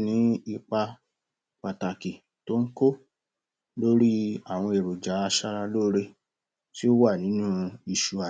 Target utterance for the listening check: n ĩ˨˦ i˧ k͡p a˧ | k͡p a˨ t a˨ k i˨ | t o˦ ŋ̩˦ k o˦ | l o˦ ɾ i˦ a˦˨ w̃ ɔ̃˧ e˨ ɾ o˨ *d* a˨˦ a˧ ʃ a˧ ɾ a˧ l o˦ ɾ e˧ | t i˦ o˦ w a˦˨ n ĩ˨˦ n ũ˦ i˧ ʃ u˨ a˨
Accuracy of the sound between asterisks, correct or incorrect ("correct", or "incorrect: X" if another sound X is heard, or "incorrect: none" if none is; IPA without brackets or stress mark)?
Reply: incorrect: d͡ʒ